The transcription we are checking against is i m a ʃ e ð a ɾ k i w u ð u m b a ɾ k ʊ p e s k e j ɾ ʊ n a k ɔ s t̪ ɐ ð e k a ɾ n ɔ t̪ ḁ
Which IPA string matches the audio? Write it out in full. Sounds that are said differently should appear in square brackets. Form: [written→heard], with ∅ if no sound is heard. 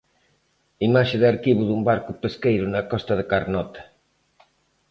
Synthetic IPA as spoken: i m a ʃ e ð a ɾ k i [w→β] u ð u m b a ɾ k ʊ p e s k e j ɾ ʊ n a k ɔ s t̪ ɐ ð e k a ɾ n ɔ t̪ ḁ

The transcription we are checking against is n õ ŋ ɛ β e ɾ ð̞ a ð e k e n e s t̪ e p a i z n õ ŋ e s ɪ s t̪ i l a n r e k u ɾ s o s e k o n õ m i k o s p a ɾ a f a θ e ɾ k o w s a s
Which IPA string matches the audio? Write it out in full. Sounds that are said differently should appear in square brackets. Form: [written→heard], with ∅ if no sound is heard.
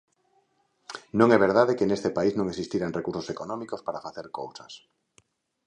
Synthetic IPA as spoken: n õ ŋ ɛ β e ɾ ð̞ a ð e k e n e s t̪ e p a i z n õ ŋ e s [ɪ→i] s t̪ i [l→ɾ] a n r e k u ɾ s o s e k o n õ m i k o s p a ɾ a f a θ e ɾ k o w s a s

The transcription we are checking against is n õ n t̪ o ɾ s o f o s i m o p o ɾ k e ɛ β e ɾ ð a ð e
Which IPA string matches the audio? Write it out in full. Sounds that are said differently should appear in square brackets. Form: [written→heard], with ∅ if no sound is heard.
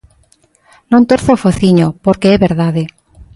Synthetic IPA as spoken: n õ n t̪ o ɾ [s→θ] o f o [s→θ] i [m→ɲ] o p o ɾ k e ɛ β e ɾ ð a ð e

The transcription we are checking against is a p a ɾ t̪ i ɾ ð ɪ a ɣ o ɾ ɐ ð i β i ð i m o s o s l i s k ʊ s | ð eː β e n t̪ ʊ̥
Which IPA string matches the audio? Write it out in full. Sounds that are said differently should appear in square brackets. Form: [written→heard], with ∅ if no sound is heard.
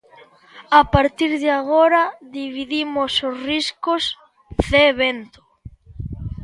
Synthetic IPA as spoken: a p a ɾ t̪ i ɾ ð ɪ a ɣ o ɾ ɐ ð i β i ð i m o s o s [l→r] i s k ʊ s | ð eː β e n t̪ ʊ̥

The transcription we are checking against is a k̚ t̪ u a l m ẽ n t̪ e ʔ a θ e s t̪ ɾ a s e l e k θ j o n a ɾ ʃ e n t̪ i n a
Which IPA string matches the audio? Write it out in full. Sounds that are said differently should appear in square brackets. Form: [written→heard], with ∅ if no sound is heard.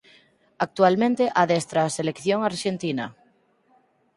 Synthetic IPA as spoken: a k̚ t̪ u a l m ẽ n t̪ e ʔ a [θ→ð] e s t̪ ɾ a s e l e k θ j o [n→ŋ] a ɾ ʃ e n t̪ i n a

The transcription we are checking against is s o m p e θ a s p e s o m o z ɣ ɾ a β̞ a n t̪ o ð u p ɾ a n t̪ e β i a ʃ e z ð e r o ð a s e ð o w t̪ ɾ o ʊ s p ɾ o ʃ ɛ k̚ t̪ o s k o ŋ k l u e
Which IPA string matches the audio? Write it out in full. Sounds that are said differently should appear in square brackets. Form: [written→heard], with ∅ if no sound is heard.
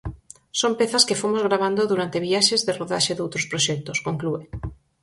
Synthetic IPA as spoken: s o m p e θ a s [p→k] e [s→f] o m o z ɣ ɾ a β̞ a n [t̪→d̪] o ð u [p→∅] ɾ a n t̪ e β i a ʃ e z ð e r o ð a [s→ʃ] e ð o w t̪ ɾ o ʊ s p ɾ o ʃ ɛ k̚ t̪ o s k o ŋ k l u e

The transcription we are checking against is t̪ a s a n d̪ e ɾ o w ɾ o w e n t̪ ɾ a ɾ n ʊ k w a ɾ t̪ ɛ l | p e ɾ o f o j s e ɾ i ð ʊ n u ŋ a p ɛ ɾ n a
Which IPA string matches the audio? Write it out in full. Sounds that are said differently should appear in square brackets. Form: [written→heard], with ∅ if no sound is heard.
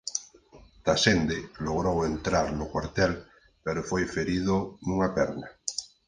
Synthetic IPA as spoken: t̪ a s [a→e] n d̪ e [ɾ→l] o [w→ɣ] ɾ o w e n t̪ ɾ a ɾ n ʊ k w a ɾ t̪ ɛ l | p e ɾ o f o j [s→f] e ɾ i ð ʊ n u ŋ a p ɛ ɾ n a

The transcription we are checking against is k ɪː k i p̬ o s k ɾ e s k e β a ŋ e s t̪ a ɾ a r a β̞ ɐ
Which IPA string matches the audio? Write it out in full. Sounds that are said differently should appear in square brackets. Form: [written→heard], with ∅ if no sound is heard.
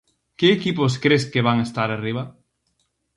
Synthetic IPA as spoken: k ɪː k i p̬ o s k ɾ e s k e β a ŋ e s t̪ a ɾ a r [a→i] β̞ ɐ

